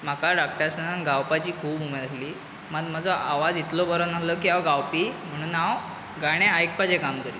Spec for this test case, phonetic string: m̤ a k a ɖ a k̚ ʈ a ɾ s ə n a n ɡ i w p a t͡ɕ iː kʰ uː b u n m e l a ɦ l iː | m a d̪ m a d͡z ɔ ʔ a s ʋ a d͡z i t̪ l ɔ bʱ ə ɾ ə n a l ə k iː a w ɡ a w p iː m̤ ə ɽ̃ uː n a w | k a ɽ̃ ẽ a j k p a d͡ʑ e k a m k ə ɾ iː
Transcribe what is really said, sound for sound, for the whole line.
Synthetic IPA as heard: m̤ a k a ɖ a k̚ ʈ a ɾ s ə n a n ɡ a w p a t͡ɕ iː kʰ uː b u m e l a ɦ l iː | m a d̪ m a d͡z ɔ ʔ a ʋ a d͡z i t̪ l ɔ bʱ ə ɾ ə n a l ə k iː a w ɡ a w p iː m̤ ə ɽ̃ uː n a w | ɡ a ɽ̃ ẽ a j k p a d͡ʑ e k a m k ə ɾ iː

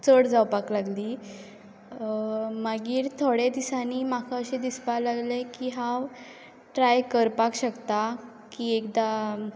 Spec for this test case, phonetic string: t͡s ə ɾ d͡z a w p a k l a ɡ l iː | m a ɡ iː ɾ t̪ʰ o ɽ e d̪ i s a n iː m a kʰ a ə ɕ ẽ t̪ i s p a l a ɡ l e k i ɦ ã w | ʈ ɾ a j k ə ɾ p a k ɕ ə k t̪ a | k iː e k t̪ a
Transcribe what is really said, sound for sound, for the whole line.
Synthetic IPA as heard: t͡s ə ɽ d͡z a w p a k l a ɡ l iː | m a ɡ iː ɾ t̪ʰ o ɽ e d̪ i s a n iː m a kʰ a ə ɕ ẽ d̪ i s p a l a ɡ l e k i ɦ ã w | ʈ ɾ a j k ə ɾ p a k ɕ ə k t̪ a | k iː e k d̪ a

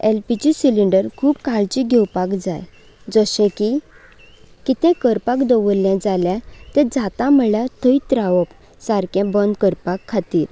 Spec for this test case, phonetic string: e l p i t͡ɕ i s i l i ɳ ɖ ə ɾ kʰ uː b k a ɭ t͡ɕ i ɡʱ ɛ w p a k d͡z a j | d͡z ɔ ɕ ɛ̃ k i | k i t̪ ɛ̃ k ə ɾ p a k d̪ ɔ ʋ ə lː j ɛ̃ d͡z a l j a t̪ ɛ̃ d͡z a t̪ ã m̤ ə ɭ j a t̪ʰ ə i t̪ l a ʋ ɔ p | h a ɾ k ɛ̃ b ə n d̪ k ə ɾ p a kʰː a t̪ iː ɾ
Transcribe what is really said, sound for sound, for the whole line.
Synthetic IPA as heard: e l p i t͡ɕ i s i l i ɳ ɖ ə ɾ kʰ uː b k a ɭ t͡ɕ i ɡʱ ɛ w p a k d͡z a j | d͡z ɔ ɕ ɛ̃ k i | k i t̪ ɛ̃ k ə ɾ p a k d̪ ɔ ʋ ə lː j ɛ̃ d͡z a l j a t̪ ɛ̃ d͡z a t̪ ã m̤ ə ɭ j a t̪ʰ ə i t̪ ɾ a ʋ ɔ p | s a ɾ k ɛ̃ b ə n d̪ k ə ɾ p a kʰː a t̪ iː ɾ

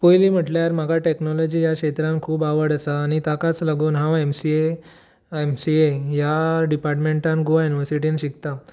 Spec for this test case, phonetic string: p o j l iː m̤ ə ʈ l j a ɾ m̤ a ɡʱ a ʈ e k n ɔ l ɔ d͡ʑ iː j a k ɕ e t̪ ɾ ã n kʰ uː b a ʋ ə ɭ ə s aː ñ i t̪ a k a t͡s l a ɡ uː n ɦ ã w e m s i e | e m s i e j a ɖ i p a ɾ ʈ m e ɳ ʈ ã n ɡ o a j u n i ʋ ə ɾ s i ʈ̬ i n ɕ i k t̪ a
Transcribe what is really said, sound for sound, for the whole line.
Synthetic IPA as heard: p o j l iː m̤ ə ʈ l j a ɾ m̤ a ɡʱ a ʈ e k n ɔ l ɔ d͡ʑ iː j a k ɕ e t̪ ɾ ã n kʰ uː b a ʋ ə ɽ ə s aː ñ i t̪ a k a t͡s l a ɡ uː n ɦ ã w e m s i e | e m s i e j a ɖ i p a ɾ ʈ m e ɳ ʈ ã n ɡ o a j u n i ʋ ə ɾ s i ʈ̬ i n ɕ i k t̪ a

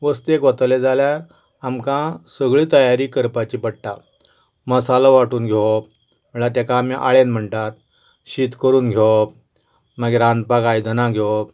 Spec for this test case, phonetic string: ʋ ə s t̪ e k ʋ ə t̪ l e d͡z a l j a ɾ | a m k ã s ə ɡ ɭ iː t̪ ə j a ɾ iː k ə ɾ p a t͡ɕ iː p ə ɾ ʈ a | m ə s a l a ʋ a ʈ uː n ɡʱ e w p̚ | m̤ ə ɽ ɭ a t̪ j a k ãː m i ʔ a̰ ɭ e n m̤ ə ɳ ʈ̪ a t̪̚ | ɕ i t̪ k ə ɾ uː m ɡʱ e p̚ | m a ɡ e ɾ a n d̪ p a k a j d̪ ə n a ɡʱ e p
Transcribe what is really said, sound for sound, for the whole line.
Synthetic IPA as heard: ʋ ə s t̪ e k ʋ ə t̪ l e d͡z a l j a ɾ | a m k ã s ə ɡ ɭ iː t̪ ə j a ɾ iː k ə ɾ p a t͡ɕ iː p ə ɽ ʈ a | m ə s a l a ʋ a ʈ uː n ɡʱ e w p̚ | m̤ ə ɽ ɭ a t̪ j a k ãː m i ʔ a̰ ɭ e n m̤ ə ɳ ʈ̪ a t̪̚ | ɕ i t̪ k ə ɾ uː n ɡʱ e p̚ | m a ɡ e ɾ a n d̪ p a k a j d̪ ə n a ɡʱ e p

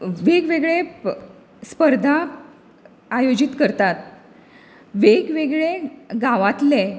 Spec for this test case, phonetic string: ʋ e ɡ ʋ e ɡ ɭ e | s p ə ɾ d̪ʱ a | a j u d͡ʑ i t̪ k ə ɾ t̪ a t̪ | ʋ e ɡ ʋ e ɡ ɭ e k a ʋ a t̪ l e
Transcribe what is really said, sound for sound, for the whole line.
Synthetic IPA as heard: ʋ e ɡ ʋ e ɡ ɭ e | s p ə ɾ d̪ʱ a | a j o d͡ʑ i t̪ k ə ɾ t̪ a t̪ | ʋ e ɡ ʋ e ɡ ɭ e ɡ a ʋ a t̪ l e

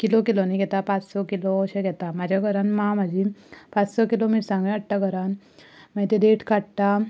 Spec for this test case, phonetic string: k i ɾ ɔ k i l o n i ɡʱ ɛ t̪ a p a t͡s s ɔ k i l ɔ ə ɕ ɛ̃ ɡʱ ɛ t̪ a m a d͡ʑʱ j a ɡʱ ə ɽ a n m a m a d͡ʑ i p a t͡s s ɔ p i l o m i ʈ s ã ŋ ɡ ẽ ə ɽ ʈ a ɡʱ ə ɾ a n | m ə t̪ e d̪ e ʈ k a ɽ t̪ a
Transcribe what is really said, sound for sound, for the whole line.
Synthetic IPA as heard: k i l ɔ k i l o n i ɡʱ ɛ t̪ a p a t͡s s ɔ k i l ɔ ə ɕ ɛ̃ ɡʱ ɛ t̪ a m a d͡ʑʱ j a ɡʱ ə ɾ a n m a m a d͡ʑ i p a t͡s s ɔ k i l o m i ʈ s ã ŋ ɡ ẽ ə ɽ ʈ a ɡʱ ə ɾ a n | m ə t̪ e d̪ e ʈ k a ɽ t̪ a

